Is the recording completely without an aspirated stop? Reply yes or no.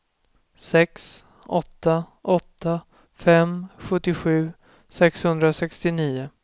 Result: yes